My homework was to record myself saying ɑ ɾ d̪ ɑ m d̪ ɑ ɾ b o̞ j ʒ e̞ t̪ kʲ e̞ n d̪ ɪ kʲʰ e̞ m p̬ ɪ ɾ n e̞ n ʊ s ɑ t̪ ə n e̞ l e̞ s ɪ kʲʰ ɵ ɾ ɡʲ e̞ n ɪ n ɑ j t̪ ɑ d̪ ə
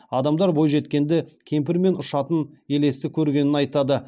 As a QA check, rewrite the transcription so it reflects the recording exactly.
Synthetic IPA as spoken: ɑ d̪ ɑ m d̪ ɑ ɾ b o̞ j ʒ e̞ t̪ kʲ e̞ n d̪ ɪ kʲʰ e̞ m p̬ ɪ ɾ m e̞ n ʊ ʃ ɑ t̪ ə n e̞ l e̞ s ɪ kʲʰ ɵ ɾ ɡʲ e̞ n ɪ n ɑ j t̪ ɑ d̪ ə